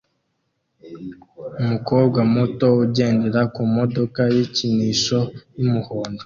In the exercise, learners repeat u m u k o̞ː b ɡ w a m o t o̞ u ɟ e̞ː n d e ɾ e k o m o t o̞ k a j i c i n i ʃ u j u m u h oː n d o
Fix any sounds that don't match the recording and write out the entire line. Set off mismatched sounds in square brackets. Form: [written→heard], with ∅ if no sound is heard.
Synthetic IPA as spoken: u m u k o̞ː b ɡ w a m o t o̞ u ɟ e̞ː n d e ɾ [e→a] k [o→u] m o [t→d] o̞ k a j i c i n i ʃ [u→o] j u m u h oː n d o